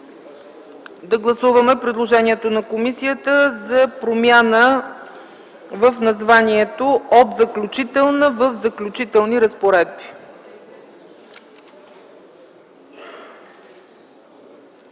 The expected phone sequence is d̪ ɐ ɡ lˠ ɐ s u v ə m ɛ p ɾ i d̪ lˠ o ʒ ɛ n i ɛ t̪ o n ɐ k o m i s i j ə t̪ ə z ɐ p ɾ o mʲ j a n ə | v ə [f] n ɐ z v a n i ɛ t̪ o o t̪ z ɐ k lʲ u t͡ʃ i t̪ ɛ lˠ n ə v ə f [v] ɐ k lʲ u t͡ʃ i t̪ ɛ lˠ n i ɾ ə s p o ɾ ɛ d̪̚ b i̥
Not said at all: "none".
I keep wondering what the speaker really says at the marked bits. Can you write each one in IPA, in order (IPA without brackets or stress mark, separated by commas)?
f, z